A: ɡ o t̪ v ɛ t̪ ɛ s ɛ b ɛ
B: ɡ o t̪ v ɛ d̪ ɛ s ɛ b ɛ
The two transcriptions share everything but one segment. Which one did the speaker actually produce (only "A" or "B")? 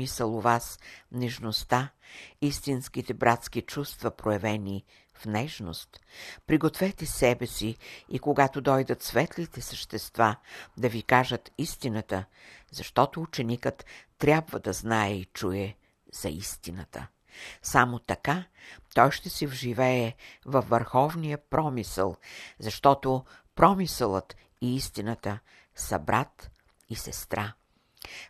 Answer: A